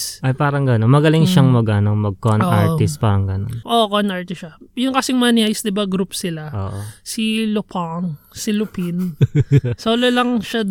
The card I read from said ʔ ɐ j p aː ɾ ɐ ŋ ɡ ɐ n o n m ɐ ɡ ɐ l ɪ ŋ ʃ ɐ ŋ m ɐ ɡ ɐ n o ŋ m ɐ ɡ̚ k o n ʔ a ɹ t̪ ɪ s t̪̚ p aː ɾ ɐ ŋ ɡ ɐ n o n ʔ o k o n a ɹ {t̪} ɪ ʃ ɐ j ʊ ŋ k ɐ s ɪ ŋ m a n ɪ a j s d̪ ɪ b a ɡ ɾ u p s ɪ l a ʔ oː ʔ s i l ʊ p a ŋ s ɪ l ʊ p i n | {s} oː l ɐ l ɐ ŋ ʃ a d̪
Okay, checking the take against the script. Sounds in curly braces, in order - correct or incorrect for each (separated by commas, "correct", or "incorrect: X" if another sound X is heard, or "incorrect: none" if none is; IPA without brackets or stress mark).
correct, correct